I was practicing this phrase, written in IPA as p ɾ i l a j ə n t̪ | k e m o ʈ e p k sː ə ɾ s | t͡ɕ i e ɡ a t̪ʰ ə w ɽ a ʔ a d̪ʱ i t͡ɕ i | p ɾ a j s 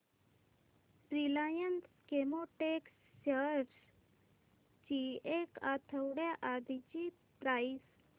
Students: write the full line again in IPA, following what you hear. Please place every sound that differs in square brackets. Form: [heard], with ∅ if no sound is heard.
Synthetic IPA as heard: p ɾ i l a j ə n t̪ | k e m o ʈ e [∅] k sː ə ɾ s | t͡ɕ i e [k] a t̪ʰ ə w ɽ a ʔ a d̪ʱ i t͡ɕ i | p ɾ a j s